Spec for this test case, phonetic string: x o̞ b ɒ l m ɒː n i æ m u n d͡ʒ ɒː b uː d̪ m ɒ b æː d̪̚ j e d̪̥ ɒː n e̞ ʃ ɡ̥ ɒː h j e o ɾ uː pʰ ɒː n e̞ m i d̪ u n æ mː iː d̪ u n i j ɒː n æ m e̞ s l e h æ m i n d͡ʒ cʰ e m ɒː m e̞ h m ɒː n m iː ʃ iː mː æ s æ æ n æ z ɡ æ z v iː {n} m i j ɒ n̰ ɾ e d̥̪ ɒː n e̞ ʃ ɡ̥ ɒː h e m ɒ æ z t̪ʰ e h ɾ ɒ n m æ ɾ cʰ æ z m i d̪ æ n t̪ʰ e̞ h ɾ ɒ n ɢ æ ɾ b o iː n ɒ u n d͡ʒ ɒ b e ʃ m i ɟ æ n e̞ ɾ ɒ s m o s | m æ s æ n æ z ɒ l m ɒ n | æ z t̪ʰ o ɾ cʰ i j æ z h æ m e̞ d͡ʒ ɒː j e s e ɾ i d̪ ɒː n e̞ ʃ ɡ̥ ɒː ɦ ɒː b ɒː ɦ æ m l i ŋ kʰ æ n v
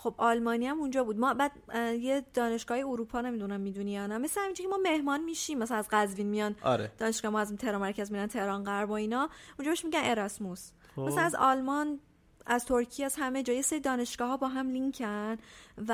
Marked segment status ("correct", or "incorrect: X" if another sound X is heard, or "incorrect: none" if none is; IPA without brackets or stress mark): correct